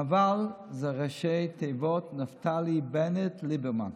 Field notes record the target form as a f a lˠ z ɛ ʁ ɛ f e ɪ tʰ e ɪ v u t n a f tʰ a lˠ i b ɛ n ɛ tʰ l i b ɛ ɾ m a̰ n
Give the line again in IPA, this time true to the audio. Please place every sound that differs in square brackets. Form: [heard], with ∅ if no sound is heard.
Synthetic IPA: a [v] a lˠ z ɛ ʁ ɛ [ʃ] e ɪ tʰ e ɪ v [ɔ] t n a f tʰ a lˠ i b ɛ n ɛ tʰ l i b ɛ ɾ m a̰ n